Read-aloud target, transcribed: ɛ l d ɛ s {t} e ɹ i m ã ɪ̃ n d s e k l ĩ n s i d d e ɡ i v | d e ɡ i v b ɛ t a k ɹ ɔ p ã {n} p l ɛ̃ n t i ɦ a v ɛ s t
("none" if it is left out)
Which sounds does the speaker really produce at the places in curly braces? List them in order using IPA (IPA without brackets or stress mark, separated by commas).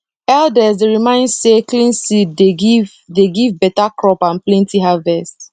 d, n